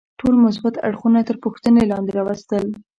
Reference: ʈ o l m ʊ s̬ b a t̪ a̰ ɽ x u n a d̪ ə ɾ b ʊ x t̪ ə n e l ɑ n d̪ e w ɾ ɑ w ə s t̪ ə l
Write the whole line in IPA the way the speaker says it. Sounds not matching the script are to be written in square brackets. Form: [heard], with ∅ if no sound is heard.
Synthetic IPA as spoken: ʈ o l m ʊ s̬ b a t̪ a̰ ɽ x u n a [t̪] ə ɾ [p] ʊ x t̪ ə n e l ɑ n d̪ e [∅] ɾ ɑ w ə s t̪ ə l